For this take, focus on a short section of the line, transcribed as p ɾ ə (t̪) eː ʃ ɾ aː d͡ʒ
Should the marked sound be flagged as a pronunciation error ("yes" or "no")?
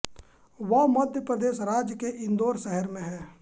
yes